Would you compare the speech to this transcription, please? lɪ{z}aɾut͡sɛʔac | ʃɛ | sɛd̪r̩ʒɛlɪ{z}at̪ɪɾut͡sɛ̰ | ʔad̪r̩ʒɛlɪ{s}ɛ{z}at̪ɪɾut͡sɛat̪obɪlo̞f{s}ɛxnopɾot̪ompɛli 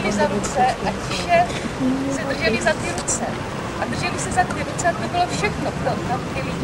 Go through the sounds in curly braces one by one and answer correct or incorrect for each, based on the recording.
correct, correct, correct, correct, incorrect: ʃ

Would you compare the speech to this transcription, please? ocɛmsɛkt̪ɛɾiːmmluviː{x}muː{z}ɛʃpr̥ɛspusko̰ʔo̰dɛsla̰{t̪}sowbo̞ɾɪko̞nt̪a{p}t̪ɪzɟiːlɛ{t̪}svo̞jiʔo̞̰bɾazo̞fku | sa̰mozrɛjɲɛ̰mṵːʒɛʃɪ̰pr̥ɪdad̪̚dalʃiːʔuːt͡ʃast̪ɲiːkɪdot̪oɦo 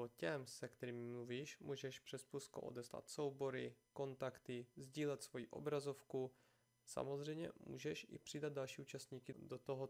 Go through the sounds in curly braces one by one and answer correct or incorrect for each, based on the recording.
incorrect: ʃ, incorrect: ʒ, correct, incorrect: k, correct

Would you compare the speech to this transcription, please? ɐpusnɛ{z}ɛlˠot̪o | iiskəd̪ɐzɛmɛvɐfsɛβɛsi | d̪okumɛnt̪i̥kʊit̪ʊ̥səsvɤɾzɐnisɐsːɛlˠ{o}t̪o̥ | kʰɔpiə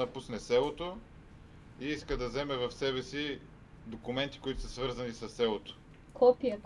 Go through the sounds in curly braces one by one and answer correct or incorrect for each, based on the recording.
incorrect: s, correct

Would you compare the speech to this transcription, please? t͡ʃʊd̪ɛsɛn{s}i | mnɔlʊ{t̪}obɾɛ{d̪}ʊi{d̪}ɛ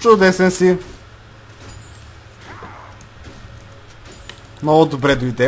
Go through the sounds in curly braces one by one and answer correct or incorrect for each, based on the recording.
correct, incorrect: d̪, correct, correct

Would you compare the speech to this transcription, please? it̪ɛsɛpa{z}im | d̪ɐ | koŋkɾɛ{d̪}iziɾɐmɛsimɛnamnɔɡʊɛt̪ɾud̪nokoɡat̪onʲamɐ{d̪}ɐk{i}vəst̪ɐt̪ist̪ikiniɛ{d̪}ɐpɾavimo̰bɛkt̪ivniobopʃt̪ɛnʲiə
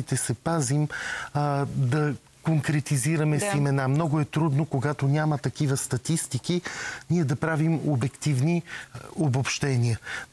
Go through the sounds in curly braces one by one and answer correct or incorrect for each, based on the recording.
correct, incorrect: t̪, incorrect: t̪, correct, correct

